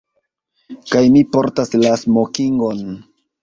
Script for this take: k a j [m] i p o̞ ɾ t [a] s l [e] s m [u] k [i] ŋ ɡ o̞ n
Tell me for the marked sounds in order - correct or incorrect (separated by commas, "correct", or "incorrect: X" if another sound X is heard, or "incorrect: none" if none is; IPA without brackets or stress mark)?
correct, correct, incorrect: a, incorrect: o, correct